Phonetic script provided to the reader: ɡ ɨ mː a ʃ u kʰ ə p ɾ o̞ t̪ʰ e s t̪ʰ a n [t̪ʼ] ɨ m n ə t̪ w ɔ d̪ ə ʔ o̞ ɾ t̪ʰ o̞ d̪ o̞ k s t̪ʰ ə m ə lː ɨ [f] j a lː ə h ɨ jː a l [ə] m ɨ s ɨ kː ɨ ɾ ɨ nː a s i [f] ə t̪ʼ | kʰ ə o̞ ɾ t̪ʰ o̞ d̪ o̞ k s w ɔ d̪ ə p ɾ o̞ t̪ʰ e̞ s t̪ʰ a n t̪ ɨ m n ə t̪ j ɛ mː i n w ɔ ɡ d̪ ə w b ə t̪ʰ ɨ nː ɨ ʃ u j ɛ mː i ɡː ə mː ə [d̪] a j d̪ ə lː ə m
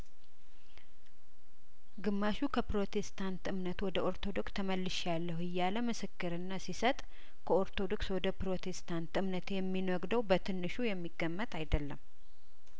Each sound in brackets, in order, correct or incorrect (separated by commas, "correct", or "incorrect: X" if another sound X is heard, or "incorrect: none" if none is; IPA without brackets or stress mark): incorrect: t̪, incorrect: ʃ, correct, incorrect: s, incorrect: t̪